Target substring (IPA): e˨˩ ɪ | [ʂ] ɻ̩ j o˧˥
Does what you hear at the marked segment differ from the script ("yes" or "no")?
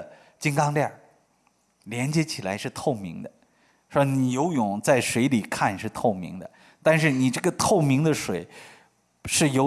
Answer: no